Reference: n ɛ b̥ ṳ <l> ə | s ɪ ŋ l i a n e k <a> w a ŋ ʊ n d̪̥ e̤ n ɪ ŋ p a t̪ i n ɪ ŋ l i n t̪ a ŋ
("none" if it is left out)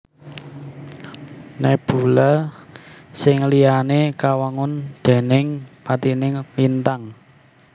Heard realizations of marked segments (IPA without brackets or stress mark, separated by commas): l, a